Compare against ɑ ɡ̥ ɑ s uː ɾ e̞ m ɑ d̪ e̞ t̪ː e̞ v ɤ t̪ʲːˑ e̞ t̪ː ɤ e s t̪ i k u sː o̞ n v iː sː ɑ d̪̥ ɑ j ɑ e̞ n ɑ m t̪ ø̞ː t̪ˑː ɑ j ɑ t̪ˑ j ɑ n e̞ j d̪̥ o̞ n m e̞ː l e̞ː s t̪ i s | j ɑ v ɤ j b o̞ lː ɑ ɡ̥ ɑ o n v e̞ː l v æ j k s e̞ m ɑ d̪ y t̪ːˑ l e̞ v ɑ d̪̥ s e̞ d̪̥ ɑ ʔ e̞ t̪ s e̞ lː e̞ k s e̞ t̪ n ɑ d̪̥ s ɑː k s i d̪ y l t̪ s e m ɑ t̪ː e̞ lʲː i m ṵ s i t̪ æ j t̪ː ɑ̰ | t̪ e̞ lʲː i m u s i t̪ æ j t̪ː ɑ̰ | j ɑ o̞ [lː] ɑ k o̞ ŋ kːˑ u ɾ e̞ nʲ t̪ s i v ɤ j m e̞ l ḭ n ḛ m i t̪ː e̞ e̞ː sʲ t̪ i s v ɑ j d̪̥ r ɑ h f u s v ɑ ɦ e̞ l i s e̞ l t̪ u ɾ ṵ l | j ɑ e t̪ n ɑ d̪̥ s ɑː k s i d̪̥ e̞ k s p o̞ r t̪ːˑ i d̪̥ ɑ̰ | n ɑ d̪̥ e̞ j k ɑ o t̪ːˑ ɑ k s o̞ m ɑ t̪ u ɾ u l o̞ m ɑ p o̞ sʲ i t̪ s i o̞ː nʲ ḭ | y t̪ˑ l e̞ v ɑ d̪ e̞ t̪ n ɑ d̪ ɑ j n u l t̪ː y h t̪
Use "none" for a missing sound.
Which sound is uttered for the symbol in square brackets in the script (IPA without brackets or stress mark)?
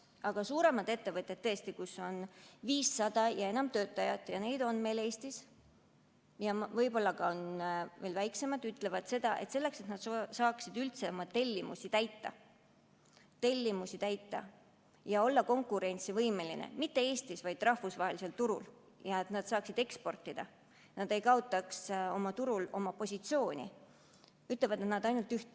lː